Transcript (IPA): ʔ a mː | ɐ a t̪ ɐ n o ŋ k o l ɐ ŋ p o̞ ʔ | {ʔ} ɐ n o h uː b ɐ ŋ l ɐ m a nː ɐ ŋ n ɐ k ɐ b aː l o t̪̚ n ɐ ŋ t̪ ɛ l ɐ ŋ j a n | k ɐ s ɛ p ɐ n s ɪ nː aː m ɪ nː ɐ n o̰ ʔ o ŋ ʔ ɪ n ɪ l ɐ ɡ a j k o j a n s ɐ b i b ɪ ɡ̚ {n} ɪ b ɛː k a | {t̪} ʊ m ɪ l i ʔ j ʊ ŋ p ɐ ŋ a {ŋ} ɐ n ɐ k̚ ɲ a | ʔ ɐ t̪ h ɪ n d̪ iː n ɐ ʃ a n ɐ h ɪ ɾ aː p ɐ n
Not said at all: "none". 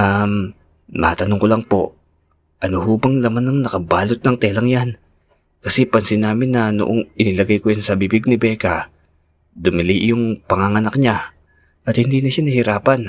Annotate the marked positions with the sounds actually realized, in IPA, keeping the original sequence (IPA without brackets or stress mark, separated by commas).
ʔ, n, d̪, ŋ